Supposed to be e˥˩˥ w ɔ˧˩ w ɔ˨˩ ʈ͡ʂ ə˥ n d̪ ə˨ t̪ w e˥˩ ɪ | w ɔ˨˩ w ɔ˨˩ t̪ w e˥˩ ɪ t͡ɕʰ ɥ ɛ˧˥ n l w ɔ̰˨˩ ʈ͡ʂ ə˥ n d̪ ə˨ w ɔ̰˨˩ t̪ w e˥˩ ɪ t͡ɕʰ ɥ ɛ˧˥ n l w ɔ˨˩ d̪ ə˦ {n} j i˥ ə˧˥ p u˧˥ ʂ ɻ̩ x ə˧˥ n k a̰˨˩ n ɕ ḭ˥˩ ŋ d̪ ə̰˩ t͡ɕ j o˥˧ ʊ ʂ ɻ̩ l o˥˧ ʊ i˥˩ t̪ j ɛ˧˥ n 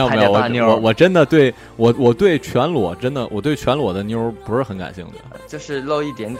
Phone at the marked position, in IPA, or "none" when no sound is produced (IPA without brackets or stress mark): n